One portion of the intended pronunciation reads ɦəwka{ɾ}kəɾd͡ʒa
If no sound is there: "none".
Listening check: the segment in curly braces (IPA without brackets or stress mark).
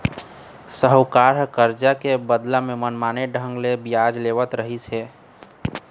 ɾ